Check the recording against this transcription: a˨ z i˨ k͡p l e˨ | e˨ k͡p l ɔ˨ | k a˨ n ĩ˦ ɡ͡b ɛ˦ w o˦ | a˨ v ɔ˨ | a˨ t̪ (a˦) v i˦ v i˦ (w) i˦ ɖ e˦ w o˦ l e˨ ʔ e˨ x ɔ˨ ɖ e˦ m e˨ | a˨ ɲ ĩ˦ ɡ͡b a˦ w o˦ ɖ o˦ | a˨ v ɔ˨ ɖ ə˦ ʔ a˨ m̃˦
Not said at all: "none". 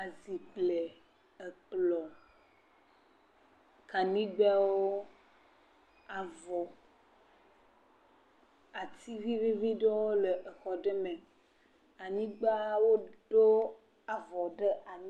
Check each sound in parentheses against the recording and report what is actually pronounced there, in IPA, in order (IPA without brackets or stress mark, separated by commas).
i˦, v